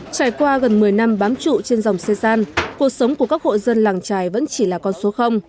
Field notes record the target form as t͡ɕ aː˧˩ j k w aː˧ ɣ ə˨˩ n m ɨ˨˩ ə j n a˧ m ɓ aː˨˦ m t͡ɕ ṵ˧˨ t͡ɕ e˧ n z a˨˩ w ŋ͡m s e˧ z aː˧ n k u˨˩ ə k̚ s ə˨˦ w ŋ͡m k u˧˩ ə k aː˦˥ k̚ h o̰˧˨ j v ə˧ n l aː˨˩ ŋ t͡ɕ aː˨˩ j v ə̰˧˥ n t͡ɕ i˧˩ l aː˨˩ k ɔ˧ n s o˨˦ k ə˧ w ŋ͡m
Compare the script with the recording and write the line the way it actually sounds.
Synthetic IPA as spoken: t͡ɕ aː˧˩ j k w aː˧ ɣ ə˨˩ n m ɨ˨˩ ə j n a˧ m ɓ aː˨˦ m t͡ɕ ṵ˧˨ t͡ɕ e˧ n z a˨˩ w ŋ͡m s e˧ z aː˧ n k u˨˩ ə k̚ s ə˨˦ w ŋ͡m k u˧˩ ə k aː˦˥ k̚ h o̰˧˨ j z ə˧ n l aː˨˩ ŋ t͡ɕ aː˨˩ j v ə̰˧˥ n t͡ɕ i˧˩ l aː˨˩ k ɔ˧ n s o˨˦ x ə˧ w ŋ͡m